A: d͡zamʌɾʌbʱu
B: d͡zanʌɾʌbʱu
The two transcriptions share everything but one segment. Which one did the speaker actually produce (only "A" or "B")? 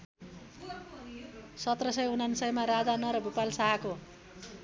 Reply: B